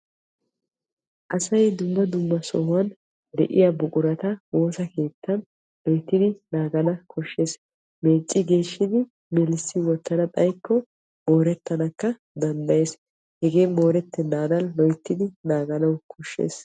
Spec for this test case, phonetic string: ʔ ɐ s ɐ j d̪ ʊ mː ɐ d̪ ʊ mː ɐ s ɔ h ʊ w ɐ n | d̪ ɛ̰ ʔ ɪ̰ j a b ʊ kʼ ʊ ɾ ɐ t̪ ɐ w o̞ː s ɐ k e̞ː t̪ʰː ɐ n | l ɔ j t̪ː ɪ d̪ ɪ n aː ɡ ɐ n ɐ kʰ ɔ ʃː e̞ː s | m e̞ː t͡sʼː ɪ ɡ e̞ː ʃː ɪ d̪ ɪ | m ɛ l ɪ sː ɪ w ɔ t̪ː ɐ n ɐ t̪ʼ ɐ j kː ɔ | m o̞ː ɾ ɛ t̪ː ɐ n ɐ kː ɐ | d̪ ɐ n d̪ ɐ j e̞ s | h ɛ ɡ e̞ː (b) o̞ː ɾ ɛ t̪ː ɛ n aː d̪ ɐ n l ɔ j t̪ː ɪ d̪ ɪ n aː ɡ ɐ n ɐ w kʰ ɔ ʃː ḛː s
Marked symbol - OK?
no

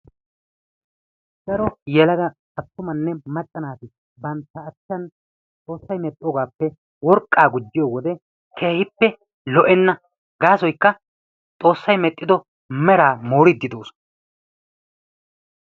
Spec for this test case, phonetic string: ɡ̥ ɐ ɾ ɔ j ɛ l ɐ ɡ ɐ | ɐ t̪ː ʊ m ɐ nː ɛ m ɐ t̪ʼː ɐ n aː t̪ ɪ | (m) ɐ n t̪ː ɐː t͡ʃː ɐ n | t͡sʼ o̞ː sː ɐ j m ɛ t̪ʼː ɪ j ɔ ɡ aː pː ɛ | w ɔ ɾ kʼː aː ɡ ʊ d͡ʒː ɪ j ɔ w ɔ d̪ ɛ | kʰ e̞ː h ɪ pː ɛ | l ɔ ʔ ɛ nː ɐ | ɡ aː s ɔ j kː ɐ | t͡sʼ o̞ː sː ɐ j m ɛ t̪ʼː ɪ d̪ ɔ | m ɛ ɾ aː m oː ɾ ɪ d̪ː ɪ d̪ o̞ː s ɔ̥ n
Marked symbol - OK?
no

